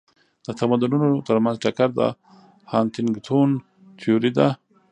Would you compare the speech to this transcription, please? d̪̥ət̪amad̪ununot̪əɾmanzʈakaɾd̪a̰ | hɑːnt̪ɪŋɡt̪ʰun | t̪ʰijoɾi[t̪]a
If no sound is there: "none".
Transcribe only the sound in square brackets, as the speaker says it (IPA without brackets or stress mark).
d̪